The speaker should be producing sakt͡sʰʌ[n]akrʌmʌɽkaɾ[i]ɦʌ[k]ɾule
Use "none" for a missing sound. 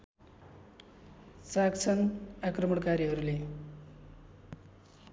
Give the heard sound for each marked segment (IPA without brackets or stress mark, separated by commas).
n, i, none